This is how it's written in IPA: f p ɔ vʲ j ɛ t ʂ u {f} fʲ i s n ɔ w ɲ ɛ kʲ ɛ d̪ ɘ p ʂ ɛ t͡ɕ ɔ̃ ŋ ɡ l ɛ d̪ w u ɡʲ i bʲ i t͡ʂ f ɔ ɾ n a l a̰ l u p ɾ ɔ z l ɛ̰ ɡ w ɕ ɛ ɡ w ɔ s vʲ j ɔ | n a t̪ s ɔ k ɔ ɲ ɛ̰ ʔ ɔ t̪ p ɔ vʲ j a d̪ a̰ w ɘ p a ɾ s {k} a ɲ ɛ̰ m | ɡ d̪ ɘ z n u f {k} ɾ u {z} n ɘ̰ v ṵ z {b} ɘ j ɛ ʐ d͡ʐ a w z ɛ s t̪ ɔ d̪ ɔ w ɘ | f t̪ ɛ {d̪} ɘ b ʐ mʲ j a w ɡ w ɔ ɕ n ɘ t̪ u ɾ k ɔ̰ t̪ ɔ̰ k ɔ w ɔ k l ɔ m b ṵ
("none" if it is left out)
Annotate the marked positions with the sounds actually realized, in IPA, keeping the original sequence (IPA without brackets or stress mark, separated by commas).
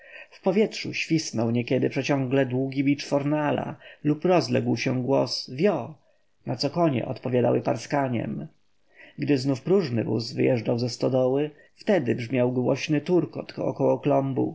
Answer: ɕ, k, p, ʐ, v, d̪